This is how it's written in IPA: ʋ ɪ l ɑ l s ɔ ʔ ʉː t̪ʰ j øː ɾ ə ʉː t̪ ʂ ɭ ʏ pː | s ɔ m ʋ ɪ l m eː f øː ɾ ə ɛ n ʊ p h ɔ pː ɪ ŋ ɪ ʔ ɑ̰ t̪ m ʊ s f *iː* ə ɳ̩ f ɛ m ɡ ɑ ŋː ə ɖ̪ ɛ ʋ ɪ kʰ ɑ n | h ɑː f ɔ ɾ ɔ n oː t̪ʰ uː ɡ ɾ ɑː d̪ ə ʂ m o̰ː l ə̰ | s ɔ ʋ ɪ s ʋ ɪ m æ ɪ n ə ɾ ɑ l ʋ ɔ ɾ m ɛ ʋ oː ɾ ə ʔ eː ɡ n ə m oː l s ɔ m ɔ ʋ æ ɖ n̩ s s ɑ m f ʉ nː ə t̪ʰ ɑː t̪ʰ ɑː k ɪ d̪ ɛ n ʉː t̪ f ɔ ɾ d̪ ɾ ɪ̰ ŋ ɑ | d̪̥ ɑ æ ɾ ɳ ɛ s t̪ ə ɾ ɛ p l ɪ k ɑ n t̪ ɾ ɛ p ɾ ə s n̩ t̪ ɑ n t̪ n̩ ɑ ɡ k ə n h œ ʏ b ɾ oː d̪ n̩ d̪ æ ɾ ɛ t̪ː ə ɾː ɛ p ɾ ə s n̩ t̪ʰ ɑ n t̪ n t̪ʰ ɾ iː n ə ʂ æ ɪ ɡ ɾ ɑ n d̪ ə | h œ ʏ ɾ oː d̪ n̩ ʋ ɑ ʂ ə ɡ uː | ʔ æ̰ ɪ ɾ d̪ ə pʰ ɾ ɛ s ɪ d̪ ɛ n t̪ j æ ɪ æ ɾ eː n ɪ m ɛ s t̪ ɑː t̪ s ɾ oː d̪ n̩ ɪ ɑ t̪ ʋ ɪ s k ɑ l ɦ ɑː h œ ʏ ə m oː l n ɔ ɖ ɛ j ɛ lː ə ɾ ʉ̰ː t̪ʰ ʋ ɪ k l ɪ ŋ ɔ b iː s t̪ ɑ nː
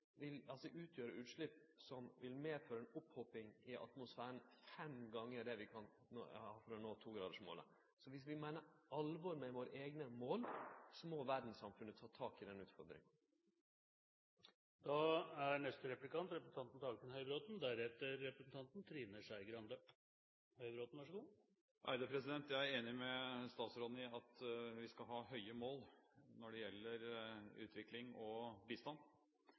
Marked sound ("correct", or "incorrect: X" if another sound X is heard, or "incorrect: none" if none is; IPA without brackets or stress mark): incorrect: æː